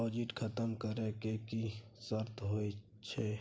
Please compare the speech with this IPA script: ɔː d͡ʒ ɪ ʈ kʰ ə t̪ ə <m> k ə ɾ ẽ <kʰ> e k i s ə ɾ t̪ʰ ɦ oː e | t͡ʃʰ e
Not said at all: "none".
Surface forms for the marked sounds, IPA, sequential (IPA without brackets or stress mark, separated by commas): m, k